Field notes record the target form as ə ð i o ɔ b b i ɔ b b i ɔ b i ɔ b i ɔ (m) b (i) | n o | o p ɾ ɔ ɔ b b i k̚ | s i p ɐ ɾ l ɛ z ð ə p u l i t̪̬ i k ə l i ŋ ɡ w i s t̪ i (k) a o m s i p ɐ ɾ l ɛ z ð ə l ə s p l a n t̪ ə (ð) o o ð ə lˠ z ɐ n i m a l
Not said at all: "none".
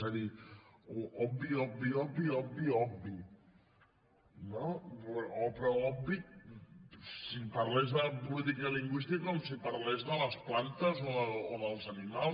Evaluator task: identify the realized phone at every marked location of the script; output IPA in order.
b, i, k, z

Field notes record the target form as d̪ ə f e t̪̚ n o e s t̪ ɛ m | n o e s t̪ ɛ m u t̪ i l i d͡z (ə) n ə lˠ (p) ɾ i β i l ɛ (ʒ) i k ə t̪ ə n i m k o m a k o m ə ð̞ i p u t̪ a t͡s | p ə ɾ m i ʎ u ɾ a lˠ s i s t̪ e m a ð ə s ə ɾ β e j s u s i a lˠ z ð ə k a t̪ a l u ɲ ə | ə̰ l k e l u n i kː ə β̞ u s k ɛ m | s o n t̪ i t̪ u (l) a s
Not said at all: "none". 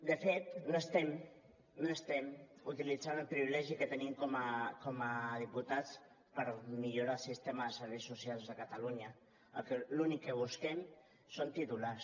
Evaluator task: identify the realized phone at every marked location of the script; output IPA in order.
a, p, ʒ, l

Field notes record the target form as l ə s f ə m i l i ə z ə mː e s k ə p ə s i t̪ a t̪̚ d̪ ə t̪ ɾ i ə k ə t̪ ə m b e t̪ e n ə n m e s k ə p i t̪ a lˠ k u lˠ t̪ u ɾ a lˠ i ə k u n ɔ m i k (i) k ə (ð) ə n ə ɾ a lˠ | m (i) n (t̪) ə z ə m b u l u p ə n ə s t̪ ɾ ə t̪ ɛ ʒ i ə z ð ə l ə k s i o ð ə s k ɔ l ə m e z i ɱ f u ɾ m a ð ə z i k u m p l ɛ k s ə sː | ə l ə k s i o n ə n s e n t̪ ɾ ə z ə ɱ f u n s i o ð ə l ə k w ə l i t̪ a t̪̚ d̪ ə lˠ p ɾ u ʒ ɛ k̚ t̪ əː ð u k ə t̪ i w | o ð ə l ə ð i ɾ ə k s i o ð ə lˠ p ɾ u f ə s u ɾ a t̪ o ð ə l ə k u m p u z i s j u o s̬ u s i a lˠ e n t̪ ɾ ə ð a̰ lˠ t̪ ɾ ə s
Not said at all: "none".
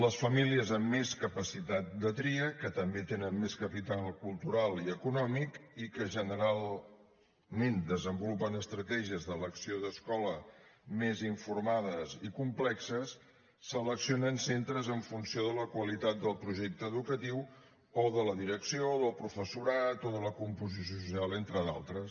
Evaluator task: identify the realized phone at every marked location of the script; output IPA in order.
i, ʒ, e, d̪

